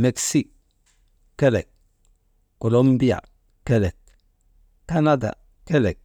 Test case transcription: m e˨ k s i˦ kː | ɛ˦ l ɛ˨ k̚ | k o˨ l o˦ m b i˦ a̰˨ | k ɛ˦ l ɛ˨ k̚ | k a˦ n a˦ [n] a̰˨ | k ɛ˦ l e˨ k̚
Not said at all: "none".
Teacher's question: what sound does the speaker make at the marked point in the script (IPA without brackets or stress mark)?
d